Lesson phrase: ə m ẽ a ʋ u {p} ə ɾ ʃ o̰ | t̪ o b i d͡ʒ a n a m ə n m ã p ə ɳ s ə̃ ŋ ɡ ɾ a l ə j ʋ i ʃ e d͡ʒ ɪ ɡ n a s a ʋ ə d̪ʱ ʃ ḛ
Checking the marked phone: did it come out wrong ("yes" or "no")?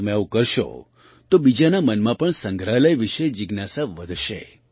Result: yes